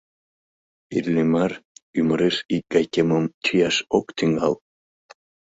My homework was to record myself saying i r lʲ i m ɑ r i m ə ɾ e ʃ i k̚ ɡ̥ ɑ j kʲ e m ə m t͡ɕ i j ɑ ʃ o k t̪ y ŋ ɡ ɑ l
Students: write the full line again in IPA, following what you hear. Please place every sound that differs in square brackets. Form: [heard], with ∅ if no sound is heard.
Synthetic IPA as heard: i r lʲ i m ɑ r [y] m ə ɾ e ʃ i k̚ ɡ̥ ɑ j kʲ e m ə m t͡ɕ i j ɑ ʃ o k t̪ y ŋ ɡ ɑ l